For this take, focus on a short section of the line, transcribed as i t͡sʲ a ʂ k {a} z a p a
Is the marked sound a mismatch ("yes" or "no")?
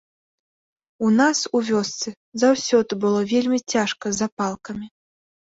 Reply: yes